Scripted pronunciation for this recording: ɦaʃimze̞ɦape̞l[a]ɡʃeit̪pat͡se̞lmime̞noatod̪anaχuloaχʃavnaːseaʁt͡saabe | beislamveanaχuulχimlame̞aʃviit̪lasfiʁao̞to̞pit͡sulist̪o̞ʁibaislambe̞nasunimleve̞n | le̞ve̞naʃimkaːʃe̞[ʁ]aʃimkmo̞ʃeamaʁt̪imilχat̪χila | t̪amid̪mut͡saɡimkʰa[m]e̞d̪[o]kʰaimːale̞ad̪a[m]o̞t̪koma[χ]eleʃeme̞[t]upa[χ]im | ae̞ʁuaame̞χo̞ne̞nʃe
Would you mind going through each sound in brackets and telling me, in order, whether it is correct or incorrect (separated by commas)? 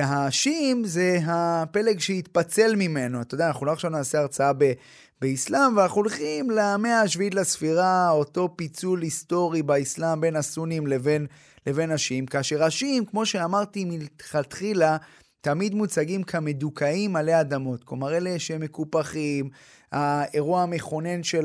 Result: incorrect, correct, correct, incorrect, correct, incorrect, incorrect, correct